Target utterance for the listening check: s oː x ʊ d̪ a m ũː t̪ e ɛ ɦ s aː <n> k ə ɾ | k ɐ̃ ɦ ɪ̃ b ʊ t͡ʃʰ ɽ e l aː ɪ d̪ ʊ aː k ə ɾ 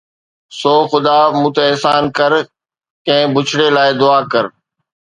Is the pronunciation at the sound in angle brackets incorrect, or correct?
correct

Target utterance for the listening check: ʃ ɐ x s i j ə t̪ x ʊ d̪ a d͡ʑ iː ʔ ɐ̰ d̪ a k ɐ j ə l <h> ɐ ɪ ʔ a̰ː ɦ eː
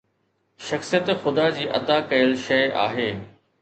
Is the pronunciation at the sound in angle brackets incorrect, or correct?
incorrect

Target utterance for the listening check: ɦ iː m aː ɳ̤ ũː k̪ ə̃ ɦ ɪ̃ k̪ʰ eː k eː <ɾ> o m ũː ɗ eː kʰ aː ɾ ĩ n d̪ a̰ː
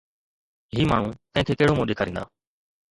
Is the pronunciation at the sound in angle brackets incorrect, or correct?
incorrect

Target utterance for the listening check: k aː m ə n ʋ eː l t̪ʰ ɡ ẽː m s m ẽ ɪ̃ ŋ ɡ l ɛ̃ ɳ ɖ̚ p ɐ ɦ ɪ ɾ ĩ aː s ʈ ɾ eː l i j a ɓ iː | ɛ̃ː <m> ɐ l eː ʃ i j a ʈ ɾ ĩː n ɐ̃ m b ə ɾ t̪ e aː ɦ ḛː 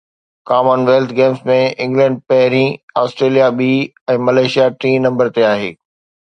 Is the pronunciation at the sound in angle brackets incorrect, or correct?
correct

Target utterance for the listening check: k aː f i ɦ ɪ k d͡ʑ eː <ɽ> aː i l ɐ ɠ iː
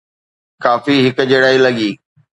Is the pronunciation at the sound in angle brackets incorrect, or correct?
correct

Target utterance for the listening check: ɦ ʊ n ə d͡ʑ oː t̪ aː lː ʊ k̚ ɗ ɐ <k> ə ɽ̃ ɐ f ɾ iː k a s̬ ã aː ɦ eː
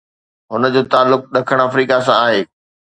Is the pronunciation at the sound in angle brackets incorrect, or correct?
incorrect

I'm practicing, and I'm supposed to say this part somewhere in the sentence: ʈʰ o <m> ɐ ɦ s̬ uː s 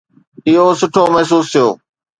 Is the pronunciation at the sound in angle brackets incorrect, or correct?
correct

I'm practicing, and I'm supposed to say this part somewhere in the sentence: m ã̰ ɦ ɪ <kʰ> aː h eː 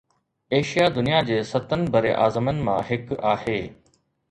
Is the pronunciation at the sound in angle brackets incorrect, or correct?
incorrect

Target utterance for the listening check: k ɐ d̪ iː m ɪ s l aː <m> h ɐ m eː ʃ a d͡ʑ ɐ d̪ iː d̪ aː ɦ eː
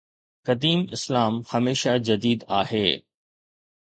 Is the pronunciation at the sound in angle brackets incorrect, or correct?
correct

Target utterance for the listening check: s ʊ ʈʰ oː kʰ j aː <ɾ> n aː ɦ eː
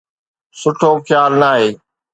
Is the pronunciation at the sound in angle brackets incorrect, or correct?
incorrect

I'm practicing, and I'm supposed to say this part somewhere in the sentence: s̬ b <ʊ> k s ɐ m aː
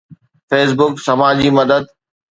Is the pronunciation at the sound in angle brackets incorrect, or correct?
correct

